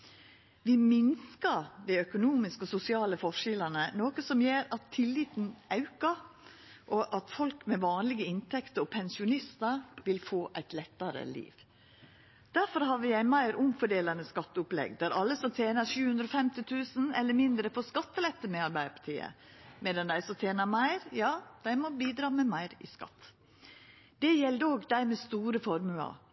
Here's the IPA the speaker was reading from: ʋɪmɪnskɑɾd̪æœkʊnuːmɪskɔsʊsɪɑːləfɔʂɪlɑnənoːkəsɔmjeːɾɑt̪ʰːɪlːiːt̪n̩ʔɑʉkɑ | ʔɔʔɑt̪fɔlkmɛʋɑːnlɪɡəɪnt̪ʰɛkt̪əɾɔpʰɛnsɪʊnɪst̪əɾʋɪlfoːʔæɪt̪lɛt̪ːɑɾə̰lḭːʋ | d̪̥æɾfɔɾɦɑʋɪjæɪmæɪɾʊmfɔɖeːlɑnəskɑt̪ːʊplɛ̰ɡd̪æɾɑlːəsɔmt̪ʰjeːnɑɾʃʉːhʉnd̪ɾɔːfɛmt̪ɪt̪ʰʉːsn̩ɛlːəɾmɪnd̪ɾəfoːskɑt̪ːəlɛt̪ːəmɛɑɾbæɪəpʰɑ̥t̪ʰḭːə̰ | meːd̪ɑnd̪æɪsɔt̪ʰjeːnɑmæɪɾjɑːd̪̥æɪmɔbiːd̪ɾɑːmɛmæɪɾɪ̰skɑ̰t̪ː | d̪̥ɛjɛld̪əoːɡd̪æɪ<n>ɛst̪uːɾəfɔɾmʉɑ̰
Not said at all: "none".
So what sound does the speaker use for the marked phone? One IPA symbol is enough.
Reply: m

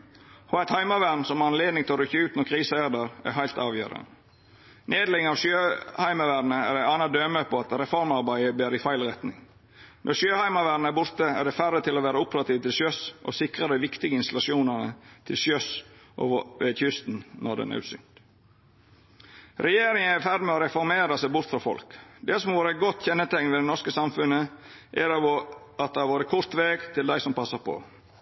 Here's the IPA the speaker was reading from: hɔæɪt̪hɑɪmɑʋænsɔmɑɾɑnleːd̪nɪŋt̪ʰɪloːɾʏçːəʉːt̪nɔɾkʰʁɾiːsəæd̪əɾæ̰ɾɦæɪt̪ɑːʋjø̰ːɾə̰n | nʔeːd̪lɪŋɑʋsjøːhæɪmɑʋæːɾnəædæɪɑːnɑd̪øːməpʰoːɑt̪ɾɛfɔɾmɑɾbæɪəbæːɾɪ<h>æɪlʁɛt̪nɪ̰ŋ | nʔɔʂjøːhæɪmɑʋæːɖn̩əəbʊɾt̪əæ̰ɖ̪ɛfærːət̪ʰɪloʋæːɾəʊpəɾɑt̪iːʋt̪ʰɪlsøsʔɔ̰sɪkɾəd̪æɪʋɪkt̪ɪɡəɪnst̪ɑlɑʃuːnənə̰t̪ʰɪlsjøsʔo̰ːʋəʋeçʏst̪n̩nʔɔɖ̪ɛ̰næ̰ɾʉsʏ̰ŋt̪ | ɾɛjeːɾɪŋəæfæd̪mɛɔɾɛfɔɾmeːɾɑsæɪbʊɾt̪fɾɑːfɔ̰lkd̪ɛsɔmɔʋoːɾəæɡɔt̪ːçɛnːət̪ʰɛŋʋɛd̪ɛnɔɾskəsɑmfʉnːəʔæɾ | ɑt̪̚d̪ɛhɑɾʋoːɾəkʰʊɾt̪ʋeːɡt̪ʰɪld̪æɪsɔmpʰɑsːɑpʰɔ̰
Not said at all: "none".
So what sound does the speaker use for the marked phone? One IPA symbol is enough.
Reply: f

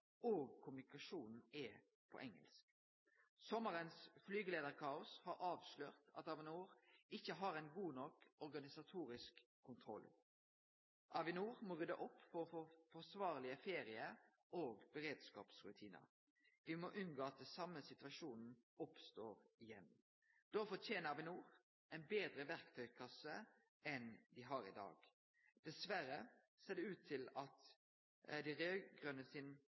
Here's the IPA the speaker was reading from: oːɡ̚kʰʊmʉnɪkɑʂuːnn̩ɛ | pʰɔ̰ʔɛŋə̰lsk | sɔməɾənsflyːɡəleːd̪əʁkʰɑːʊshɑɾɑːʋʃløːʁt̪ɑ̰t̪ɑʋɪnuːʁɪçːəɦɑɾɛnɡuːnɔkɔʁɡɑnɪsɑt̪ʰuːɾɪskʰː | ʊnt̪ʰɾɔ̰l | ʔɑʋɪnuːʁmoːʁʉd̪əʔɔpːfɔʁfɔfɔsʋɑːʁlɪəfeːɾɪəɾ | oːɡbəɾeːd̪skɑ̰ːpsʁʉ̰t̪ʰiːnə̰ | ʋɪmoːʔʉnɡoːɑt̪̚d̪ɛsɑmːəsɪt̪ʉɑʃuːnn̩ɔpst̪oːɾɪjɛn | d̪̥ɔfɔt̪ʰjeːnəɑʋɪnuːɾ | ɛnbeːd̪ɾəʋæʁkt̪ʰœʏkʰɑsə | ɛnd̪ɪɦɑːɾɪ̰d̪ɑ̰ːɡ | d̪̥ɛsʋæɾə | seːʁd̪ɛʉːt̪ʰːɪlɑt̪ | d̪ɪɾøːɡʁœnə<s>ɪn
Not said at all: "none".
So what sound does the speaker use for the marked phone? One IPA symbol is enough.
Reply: s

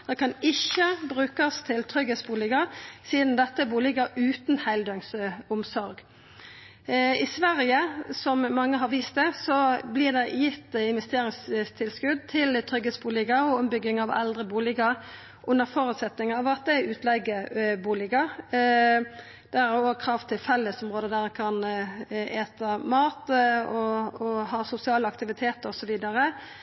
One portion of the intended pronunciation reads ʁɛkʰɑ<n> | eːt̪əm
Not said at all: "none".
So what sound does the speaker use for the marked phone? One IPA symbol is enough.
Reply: n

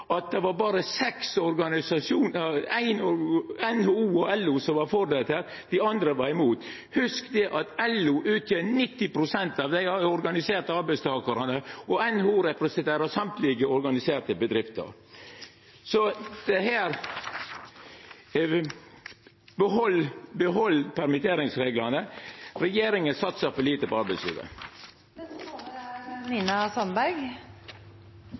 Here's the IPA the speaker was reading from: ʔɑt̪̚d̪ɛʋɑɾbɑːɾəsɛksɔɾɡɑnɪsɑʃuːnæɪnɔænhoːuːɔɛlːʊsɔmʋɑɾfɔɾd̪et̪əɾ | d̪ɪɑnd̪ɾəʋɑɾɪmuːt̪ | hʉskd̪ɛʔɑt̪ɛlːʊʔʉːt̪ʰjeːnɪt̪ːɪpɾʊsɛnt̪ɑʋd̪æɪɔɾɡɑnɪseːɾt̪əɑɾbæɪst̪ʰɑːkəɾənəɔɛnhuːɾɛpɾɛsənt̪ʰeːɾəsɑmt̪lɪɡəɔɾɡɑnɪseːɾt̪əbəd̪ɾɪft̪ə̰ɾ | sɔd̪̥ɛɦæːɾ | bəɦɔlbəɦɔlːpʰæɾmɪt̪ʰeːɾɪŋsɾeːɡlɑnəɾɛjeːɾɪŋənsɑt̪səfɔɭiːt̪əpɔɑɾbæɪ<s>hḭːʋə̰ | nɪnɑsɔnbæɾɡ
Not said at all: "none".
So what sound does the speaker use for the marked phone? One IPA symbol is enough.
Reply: s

